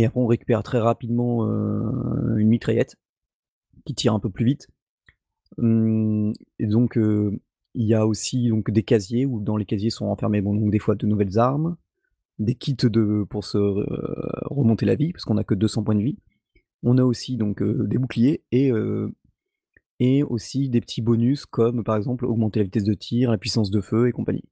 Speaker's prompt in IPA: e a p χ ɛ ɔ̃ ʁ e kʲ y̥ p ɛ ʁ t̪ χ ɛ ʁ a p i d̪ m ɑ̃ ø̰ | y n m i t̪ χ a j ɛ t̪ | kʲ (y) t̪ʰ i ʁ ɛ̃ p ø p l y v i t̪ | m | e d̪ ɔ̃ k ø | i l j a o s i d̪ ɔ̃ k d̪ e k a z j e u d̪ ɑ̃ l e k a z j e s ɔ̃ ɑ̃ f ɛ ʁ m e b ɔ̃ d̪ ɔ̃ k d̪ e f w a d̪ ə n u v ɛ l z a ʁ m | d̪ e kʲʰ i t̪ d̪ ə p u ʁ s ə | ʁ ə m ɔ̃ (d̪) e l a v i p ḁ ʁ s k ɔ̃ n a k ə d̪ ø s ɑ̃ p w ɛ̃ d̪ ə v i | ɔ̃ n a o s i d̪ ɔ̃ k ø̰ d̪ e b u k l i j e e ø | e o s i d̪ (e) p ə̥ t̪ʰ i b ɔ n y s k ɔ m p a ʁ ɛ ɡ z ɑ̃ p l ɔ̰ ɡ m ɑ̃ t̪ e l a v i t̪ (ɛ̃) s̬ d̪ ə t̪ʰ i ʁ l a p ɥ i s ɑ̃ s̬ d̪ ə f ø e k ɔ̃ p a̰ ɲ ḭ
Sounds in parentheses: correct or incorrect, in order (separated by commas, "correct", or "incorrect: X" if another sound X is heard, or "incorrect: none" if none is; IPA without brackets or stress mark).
incorrect: i, incorrect: t̪, correct, incorrect: ɛ